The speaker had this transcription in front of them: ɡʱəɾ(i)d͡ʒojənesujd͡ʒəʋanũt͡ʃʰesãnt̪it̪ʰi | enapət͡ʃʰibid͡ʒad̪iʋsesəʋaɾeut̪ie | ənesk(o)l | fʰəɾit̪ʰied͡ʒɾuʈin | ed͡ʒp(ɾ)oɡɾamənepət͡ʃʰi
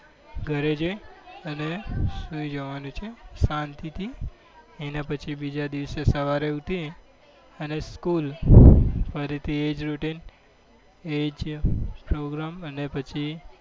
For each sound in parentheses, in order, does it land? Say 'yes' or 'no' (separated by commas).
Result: no, no, yes